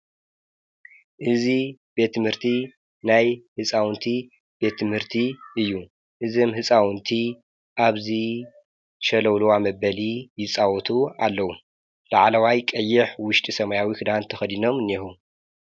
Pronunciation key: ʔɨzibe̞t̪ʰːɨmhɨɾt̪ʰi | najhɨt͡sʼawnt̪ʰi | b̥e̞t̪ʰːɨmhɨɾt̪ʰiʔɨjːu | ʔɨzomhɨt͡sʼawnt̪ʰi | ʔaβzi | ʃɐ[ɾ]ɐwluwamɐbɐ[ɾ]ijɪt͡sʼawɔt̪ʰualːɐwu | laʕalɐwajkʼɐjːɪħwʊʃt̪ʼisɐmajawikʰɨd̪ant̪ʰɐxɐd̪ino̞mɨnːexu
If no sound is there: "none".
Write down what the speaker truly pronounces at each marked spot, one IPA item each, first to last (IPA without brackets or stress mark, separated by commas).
l, l